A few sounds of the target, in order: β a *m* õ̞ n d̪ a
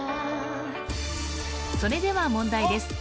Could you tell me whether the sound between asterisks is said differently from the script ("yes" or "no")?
no